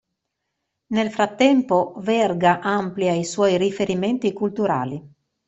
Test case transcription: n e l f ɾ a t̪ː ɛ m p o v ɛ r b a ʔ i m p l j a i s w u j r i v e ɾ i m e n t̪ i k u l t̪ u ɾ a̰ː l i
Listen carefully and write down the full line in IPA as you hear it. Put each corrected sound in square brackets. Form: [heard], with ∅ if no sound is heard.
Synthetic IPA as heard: n e l f ɾ a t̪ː ɛ m p o v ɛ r [ɡ] a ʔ [a] m p l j a i s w [ɔ] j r i [f] e ɾ i m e n t̪ i k u l t̪ u ɾ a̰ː l i